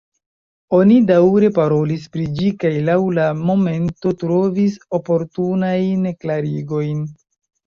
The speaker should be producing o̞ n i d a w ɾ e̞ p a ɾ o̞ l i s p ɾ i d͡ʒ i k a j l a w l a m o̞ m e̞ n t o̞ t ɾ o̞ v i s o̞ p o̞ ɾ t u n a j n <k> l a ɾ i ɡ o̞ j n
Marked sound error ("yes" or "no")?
no